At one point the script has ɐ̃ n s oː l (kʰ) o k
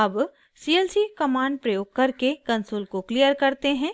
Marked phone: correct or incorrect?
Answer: incorrect: k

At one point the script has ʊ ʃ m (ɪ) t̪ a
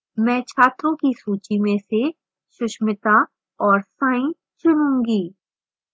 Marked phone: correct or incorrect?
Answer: correct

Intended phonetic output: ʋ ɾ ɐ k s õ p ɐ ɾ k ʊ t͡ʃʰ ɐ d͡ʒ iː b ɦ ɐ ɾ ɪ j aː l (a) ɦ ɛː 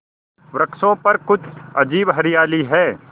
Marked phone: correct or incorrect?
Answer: incorrect: i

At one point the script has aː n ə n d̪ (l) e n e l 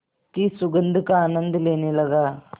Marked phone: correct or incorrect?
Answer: correct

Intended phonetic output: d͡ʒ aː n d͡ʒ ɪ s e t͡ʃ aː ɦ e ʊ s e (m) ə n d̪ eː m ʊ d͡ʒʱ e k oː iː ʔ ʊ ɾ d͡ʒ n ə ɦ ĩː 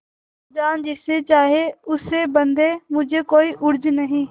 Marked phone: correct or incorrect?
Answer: incorrect: b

